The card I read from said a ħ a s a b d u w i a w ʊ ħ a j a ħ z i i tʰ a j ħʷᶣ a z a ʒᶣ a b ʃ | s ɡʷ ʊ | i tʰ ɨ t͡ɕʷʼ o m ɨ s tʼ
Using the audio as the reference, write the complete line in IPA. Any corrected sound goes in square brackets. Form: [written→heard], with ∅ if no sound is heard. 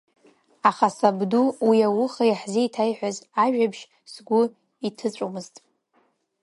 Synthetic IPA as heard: a [ħ→χ] a s a b d u w i a w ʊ [ħ→χ] a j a ħ z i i tʰ a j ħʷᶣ a z a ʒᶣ a b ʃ | s ɡʷ ʊ | i tʰ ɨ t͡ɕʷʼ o m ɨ [s→z] tʼ